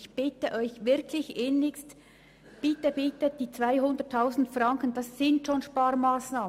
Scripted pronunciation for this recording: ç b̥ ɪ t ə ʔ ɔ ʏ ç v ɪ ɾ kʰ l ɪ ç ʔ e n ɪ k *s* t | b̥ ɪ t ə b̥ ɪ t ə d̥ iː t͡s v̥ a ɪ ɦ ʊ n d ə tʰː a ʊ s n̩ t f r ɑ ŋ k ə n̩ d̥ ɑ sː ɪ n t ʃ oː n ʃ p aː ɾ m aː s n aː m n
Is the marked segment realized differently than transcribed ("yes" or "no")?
no